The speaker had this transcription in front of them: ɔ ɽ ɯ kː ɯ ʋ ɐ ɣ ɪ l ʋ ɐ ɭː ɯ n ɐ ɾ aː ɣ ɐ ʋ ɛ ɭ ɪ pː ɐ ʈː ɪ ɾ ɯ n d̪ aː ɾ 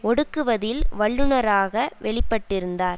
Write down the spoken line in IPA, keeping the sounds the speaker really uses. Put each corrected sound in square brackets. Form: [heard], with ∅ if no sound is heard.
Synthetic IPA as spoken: ɔ ɽ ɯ kː ɯ ʋ ɐ [ð] ɪ l ʋ ɐ ɭː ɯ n ɐ ɾ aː ɣ ɐ ʋ ɛ ɭ ɪ pː ɐ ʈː ɪ ɾ ɯ n d̪ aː ɾ